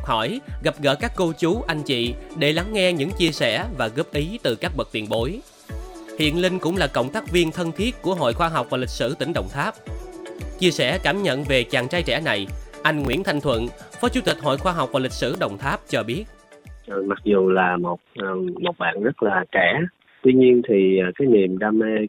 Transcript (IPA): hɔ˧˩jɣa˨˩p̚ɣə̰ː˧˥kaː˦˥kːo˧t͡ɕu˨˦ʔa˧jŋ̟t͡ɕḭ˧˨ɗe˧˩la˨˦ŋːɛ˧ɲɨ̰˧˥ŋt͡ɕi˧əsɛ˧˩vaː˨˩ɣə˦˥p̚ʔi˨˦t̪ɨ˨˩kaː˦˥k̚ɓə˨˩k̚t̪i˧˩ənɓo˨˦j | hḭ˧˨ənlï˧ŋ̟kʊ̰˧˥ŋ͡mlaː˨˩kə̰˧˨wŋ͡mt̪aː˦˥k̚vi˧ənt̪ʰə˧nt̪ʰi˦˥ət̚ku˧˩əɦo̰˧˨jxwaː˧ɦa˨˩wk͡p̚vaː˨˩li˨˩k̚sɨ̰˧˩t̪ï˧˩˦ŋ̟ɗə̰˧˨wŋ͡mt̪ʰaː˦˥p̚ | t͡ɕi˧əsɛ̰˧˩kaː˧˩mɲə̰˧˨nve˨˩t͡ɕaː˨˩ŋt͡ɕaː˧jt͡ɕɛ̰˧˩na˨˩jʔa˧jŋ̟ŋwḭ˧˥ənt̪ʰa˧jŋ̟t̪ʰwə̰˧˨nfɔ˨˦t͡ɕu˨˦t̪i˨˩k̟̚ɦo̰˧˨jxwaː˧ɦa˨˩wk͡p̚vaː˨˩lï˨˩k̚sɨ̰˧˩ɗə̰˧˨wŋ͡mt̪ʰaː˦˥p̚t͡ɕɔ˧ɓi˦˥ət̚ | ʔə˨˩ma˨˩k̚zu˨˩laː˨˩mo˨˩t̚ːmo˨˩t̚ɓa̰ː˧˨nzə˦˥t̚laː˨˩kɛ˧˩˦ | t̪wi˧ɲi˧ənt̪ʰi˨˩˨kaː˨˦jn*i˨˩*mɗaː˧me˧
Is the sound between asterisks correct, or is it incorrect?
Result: correct